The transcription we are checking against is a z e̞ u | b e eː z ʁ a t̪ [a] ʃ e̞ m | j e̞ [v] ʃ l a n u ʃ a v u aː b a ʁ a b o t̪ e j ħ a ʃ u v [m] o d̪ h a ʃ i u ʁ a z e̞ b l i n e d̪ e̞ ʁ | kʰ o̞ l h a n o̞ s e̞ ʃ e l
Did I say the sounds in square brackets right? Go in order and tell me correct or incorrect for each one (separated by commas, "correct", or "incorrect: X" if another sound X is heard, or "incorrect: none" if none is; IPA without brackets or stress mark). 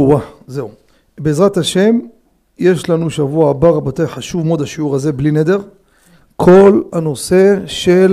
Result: correct, incorrect: none, correct